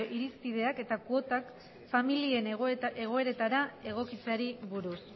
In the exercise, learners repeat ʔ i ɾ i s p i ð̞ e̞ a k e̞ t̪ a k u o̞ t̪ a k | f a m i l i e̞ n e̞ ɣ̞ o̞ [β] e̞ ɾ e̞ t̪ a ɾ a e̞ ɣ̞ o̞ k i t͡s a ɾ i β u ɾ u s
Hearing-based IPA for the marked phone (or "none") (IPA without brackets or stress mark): none